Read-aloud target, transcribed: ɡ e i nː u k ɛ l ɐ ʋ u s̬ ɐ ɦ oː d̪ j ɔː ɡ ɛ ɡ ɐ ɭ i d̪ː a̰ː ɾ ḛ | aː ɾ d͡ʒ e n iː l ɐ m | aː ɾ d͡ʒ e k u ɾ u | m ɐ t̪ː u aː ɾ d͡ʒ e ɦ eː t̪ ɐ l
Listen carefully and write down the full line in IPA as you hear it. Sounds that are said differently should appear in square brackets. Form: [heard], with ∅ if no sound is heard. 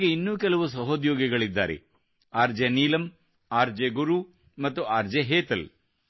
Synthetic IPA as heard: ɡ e i nː [uː] k ɛ l ɐ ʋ u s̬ ɐ ɦ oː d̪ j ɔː ɡ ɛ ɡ ɐ ɭ i d̪ː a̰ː ɾ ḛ | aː ɾ d͡ʒ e n iː l ɐ m | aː ɾ d͡ʒ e [ɡ] u ɾ u | m ɐ t̪ː u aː ɾ d͡ʒ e ɦ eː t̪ ɐ l